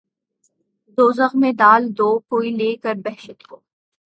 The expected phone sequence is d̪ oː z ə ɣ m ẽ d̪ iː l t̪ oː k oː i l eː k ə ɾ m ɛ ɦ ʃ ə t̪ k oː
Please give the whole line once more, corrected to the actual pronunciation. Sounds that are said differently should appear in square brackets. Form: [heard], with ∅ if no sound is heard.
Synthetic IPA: d̪ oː z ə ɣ m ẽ d̪ [aː] l [d̪] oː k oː i l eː k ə ɾ [b] ɛ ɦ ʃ ə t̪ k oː